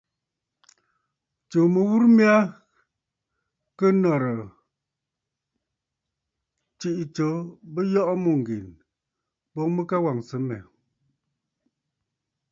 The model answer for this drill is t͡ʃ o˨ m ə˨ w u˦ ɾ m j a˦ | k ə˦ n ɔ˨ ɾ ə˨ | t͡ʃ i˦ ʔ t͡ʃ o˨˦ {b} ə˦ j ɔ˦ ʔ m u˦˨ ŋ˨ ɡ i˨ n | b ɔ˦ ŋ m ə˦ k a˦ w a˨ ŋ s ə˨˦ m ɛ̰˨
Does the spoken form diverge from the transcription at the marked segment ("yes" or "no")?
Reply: no